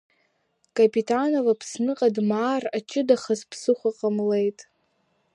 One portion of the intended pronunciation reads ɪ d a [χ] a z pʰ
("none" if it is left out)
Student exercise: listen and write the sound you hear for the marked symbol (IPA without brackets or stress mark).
χ